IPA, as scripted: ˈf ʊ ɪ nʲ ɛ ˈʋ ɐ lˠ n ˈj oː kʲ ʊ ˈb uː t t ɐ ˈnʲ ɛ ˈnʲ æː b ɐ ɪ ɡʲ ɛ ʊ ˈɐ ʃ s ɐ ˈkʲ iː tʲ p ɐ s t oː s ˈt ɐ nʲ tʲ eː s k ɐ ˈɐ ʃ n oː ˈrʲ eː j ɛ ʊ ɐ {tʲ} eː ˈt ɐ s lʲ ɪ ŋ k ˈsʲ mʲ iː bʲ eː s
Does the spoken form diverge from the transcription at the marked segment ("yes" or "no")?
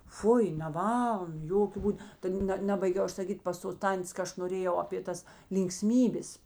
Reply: yes